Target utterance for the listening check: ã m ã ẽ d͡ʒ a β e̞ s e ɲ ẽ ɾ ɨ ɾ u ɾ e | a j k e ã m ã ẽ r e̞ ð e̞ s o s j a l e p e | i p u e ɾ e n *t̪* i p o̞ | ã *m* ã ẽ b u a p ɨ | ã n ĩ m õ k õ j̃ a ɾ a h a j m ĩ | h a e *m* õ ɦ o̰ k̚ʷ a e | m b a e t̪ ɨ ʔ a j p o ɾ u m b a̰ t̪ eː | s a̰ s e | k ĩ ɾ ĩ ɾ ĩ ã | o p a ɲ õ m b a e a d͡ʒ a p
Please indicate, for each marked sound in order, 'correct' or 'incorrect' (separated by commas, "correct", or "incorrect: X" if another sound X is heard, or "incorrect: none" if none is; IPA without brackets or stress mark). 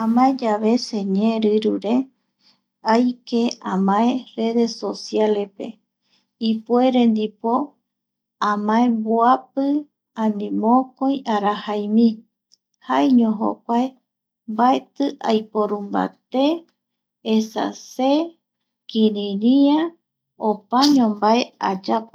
incorrect: d̪, correct, incorrect: ɲ